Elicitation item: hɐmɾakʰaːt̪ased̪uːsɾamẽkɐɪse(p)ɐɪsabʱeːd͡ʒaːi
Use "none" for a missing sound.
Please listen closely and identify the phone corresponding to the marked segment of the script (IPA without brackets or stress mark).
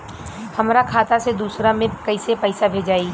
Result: p